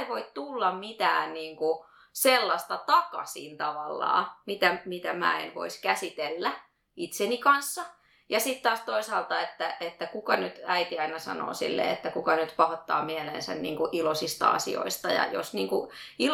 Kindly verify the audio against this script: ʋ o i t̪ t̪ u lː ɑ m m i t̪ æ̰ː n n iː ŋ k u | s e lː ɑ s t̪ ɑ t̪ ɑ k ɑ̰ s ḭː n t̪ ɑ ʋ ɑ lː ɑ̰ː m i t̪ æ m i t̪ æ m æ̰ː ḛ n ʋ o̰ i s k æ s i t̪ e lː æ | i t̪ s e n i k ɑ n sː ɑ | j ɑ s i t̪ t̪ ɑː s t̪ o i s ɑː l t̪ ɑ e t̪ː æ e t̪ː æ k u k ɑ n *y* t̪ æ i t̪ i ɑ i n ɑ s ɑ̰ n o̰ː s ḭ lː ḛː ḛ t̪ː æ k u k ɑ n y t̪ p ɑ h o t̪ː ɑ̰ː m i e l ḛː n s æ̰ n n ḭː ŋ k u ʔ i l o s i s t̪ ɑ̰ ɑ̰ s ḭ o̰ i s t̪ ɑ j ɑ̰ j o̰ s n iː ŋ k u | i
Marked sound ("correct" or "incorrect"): correct